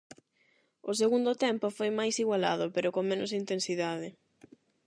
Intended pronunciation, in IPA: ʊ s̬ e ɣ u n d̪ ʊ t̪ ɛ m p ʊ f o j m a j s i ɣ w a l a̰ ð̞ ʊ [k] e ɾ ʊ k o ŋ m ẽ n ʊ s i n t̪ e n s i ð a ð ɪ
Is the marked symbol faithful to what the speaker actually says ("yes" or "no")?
no